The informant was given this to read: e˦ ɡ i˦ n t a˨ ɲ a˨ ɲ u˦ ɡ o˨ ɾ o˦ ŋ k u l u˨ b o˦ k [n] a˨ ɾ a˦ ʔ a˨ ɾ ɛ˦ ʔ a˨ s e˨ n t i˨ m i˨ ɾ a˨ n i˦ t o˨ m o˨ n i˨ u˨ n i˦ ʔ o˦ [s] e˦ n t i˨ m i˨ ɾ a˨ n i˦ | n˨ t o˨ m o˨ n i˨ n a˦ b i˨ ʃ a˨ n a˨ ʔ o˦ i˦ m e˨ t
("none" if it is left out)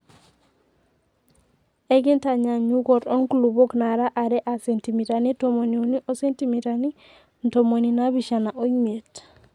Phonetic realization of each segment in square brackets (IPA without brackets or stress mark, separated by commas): n, s